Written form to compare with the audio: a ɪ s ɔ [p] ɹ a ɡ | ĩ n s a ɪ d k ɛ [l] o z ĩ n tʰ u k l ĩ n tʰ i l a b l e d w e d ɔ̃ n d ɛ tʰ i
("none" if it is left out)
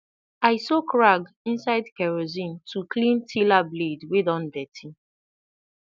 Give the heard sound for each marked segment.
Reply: k, ɹ

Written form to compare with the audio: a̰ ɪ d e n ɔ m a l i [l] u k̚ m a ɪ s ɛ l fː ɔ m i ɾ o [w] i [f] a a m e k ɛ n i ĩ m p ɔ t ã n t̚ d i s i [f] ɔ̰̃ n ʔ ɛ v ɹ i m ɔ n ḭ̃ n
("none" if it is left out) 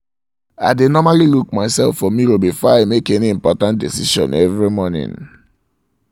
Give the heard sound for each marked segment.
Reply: l, b, f, ʃ

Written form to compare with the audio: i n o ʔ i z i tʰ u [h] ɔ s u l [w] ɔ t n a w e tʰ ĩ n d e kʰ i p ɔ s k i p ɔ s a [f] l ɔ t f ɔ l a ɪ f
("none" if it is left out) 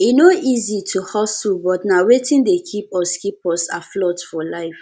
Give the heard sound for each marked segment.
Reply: h, b, f

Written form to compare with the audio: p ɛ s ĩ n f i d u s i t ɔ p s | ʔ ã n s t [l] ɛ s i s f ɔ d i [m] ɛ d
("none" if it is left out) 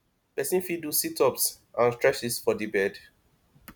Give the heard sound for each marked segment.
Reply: ɹ, b

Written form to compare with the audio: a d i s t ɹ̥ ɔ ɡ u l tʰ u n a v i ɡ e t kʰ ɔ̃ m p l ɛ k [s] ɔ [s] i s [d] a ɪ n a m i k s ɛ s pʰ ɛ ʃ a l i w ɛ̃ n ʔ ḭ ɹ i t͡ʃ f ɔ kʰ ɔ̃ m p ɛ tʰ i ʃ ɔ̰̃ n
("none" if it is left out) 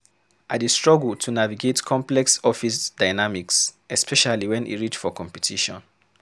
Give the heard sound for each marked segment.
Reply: s, f, d

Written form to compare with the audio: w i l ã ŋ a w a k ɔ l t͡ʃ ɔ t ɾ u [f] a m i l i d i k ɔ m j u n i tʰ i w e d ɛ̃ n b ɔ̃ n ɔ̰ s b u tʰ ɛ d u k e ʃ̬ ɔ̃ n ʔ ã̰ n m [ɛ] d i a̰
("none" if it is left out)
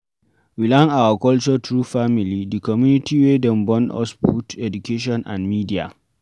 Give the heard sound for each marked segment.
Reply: f, i

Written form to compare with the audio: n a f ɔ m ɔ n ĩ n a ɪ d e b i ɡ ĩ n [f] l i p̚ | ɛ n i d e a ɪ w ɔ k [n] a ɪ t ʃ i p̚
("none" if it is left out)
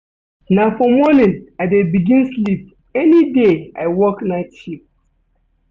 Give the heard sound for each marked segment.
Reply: s, n

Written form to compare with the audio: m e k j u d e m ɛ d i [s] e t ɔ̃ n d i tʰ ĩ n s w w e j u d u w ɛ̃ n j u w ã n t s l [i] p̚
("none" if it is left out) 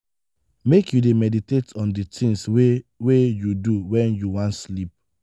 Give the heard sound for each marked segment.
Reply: t, i

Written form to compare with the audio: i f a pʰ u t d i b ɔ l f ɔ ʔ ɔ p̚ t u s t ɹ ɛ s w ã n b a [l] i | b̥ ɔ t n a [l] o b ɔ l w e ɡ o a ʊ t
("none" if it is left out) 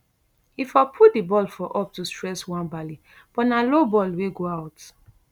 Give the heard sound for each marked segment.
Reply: l, l

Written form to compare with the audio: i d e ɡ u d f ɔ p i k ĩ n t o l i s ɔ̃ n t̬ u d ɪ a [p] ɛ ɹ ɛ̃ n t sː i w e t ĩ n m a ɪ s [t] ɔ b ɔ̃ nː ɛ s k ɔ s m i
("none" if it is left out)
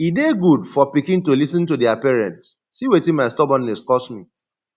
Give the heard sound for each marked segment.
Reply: p, t

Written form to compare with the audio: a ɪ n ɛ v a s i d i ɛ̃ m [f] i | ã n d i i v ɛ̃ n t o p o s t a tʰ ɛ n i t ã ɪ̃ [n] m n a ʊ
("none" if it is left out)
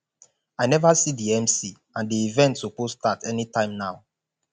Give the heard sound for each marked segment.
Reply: s, none

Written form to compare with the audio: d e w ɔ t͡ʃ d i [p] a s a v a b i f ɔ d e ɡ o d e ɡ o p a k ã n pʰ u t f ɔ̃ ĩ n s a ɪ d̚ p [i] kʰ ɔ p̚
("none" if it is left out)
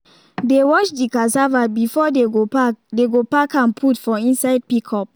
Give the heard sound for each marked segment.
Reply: k, i

